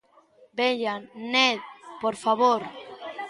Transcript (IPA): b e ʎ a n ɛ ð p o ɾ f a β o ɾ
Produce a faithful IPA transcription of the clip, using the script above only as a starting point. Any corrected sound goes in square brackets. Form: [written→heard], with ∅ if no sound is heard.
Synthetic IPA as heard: b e ʎ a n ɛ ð p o ɾ f a β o ɾ